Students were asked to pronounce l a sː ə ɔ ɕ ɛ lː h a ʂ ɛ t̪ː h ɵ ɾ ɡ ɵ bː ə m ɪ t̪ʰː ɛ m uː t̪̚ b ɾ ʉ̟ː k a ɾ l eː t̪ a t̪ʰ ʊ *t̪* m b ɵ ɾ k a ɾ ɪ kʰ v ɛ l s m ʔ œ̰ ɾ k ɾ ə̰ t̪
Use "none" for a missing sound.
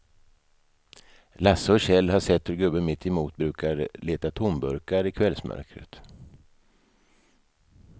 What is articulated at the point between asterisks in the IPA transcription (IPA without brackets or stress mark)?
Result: none